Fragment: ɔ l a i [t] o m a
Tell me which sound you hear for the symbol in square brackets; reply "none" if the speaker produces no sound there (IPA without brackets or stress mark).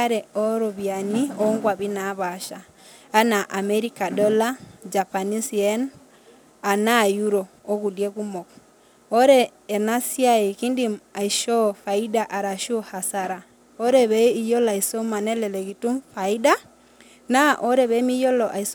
s